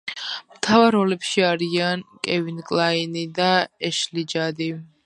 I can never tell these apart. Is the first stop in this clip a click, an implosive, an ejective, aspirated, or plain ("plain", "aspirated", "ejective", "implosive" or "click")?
aspirated